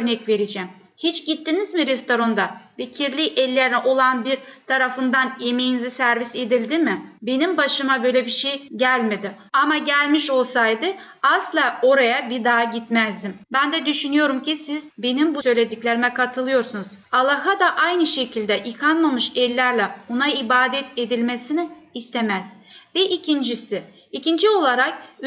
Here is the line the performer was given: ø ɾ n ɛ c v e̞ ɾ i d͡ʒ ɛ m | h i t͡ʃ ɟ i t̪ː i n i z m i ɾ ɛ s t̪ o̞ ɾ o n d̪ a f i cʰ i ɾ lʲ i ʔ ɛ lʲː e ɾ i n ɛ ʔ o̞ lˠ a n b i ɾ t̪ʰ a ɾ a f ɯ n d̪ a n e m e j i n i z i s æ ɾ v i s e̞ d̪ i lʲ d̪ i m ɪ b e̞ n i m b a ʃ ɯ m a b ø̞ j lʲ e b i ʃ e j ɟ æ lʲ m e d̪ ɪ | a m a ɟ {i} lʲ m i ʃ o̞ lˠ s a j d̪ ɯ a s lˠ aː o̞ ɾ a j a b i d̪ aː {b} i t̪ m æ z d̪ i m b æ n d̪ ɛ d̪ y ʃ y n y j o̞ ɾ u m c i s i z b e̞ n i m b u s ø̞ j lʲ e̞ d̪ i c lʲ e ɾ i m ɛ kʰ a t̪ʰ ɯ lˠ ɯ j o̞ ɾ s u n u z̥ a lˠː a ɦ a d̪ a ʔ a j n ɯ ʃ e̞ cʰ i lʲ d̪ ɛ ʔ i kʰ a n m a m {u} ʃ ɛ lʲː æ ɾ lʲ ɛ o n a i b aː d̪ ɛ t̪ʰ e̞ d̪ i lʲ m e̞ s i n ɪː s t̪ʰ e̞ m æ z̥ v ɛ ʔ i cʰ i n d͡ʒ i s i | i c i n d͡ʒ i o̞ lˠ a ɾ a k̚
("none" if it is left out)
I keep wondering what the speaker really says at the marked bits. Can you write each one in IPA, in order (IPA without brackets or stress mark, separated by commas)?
æ, ɟ, ɯ